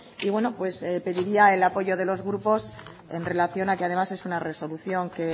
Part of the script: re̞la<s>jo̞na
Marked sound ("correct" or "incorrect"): incorrect